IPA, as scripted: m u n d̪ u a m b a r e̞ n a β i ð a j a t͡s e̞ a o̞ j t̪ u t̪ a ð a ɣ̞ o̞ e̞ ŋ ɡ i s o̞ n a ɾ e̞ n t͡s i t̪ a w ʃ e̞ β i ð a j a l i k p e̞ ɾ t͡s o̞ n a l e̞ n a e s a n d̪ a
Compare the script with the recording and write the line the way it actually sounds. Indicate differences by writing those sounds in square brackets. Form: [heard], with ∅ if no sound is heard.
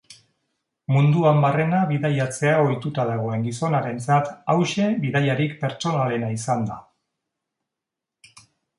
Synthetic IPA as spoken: m u n d̪ u a m b a r e̞ n a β i ð a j a t͡s e̞ a o̞ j t̪ u t̪ a ð a ɣ̞ o̞ e̞ ŋ ɡ i s o̞ n a ɾ e̞ n t͡s [a] t̪ a w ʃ e̞ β i ð a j a [ɾ] i k p e̞ ɾ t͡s o̞ n a l e̞ n a [i] s a n d̪ a